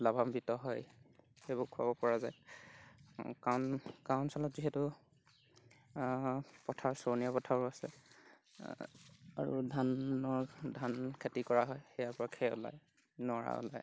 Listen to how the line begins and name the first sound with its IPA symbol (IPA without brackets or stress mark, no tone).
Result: l